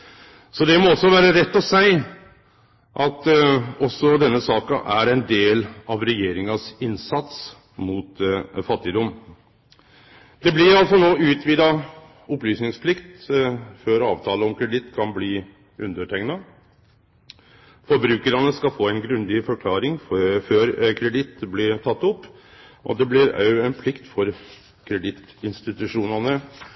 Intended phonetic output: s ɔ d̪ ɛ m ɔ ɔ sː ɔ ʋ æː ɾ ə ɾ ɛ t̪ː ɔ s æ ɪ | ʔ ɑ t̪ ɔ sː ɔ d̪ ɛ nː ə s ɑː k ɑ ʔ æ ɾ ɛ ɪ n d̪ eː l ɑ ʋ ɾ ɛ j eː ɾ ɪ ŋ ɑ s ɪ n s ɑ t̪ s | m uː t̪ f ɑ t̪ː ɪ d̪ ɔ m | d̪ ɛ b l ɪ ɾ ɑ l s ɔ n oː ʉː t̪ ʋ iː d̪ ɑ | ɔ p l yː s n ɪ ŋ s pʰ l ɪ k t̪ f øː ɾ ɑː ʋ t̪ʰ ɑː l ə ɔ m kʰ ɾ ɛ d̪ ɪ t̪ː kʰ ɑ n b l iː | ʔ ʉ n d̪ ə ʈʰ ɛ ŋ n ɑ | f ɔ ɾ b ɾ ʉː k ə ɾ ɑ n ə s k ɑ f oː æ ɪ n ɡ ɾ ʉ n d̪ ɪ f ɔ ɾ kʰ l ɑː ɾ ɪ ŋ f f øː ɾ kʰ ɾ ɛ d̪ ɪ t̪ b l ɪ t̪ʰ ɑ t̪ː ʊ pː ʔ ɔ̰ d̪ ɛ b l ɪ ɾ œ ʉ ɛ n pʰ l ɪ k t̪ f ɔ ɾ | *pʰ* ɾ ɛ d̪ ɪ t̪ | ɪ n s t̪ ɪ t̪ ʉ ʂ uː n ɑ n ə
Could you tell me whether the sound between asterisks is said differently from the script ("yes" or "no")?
yes